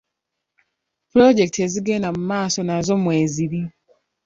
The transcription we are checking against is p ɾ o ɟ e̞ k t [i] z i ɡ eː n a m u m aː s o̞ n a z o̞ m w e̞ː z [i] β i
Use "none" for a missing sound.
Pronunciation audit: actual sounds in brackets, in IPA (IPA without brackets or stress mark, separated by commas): e, i